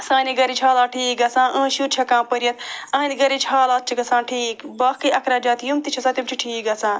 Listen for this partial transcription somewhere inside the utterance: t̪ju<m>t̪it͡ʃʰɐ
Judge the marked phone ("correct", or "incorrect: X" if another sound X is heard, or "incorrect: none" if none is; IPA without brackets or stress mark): correct